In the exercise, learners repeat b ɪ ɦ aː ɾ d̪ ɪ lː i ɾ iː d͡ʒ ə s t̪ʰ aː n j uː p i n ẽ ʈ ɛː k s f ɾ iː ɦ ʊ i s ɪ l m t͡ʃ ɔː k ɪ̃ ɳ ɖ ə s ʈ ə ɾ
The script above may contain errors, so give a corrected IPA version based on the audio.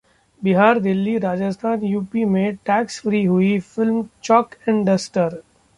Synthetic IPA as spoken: b ɪ ɦ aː ɾ d̪ ɪ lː i ɾ aː d͡ʒ ə s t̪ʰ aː n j uː p i m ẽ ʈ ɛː k s f ɾ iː ɦ ʊ i f ɪ l m t͡ʃ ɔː k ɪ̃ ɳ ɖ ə s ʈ ə ɾ